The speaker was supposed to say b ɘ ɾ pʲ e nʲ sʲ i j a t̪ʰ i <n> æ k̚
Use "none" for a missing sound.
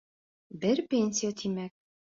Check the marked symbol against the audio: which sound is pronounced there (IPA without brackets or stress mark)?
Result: m